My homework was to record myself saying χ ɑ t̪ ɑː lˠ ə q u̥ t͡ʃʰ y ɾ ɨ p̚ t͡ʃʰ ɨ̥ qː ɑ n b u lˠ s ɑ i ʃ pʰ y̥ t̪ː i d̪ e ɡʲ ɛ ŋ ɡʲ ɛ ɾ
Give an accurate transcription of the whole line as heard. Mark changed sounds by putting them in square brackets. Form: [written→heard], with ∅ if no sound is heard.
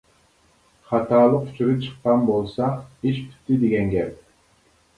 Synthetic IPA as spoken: χ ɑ t̪ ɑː lˠ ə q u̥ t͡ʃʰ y ɾ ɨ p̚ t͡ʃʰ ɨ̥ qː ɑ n b [u→o] lˠ s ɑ i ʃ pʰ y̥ t̪ː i d̪ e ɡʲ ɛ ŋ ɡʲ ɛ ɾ